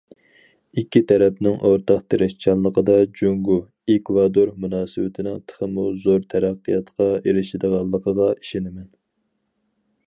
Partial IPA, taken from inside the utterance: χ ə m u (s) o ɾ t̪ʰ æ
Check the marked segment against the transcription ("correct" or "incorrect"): incorrect